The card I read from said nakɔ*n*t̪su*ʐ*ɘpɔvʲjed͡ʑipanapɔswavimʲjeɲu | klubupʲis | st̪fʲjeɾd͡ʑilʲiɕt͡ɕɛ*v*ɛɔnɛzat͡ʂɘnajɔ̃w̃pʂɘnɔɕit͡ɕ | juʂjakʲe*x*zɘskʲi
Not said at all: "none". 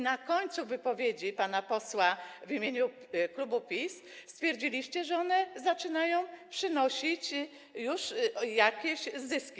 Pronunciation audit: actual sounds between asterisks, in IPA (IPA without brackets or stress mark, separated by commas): ɲ, v, ʐ, ɕ